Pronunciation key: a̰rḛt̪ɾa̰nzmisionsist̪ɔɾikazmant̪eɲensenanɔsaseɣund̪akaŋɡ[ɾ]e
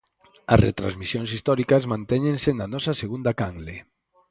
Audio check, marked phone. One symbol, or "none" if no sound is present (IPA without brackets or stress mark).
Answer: l